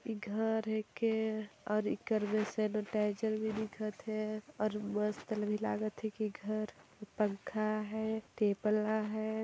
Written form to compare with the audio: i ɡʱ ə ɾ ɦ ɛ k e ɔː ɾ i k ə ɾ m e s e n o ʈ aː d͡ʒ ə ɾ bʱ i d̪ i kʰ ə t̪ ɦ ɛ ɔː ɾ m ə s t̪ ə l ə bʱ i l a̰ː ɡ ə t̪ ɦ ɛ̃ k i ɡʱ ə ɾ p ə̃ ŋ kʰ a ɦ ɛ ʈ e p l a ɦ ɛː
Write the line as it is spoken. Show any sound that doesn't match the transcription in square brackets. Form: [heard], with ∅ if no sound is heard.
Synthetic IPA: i ɡʱ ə ɾ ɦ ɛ k e ɔː ɾ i k ə ɾ m e s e n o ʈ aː d͡ʒ ə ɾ bʱ i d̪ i kʰ ə t̪ ɦ ɛ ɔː ɾ m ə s t̪ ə l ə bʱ i l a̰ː ɡ ə t̪ ɦ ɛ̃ k i ɡʱ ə ɾ p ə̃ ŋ kʰ a ɦ ɛ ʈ e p l a ɦ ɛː